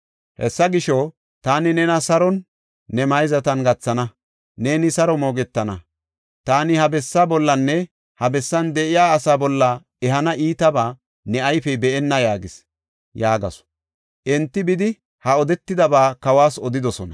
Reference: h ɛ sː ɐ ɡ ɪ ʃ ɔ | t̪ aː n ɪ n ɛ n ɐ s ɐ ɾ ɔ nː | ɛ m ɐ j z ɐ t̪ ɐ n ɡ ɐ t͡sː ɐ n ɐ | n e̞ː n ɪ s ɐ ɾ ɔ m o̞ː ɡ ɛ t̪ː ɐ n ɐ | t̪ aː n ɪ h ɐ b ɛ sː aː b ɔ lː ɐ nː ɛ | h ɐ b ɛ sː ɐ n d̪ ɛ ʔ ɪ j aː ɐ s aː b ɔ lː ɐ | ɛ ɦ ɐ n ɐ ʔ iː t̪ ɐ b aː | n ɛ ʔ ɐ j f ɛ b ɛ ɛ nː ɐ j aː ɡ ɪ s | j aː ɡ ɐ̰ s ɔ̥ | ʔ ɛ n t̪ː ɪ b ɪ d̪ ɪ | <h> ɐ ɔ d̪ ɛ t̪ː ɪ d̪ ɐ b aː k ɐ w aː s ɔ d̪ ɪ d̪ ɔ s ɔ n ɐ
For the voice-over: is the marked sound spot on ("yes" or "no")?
yes